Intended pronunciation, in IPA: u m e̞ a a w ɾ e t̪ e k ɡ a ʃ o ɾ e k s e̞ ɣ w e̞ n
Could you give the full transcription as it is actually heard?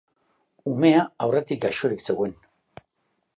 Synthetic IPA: u m e̞ a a w r e t̪ i k ɡ a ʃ o ɾ i k s e̞ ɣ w e̞ n